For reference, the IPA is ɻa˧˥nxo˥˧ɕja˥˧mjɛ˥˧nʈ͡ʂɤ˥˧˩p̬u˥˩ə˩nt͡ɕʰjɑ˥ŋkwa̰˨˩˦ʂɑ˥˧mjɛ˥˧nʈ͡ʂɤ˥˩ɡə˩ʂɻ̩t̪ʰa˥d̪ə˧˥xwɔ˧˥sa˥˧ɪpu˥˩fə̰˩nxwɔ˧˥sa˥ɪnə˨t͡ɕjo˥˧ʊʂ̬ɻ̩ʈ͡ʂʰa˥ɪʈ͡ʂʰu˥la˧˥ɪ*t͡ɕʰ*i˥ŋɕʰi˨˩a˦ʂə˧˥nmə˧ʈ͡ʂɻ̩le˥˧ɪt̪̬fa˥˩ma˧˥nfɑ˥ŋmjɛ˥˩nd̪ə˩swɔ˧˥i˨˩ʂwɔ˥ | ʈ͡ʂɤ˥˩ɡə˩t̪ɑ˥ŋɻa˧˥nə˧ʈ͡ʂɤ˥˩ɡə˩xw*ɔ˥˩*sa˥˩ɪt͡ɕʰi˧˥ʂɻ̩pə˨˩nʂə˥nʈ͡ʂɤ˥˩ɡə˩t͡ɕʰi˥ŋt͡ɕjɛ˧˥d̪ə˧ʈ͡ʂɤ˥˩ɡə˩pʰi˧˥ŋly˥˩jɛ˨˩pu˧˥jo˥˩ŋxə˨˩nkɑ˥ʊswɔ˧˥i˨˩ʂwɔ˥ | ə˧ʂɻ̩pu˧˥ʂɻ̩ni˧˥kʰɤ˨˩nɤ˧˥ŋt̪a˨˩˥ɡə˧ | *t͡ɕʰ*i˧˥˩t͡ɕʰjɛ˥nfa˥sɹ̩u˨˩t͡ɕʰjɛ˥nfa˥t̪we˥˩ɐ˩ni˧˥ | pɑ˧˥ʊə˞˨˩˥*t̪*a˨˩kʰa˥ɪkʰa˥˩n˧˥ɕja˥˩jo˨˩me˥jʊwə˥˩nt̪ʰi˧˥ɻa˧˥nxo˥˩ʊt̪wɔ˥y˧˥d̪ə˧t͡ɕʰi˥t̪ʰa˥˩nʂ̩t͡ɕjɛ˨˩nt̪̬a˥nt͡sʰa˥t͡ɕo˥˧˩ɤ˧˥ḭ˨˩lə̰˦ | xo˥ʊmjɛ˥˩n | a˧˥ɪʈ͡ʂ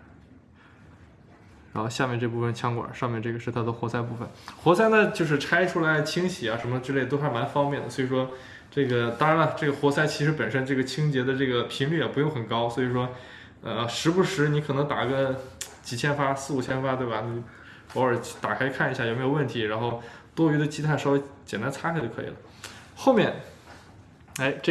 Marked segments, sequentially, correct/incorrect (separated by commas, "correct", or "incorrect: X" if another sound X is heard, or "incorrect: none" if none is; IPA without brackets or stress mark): correct, incorrect: ɔ˧˥, incorrect: t͡ɕ, correct